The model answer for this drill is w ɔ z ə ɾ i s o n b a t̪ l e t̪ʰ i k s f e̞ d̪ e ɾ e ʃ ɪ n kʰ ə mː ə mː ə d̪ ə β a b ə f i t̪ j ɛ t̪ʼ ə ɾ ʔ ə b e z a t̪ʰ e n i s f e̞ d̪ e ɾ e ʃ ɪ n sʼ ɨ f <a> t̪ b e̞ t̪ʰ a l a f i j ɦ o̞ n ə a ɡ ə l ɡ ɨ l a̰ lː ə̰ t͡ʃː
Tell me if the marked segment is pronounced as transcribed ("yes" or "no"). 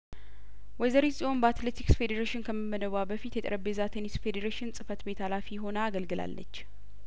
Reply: no